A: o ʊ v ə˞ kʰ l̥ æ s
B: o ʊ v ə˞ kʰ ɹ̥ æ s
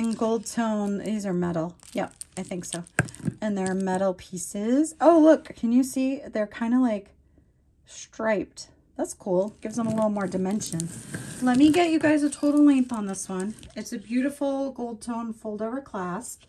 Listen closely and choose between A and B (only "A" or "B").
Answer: A